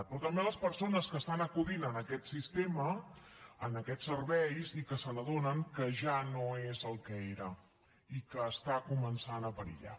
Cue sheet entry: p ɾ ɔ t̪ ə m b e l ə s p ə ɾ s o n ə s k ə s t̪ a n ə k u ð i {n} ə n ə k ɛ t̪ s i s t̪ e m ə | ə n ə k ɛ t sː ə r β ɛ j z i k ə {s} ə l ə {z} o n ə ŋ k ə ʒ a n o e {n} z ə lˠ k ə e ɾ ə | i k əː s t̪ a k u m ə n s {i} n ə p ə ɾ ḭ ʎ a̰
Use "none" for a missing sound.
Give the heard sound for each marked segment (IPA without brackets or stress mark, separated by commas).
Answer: n, s, ð, none, a